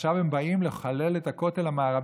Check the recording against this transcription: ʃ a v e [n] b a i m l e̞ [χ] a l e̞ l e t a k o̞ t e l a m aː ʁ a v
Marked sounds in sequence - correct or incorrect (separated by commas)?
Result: incorrect, correct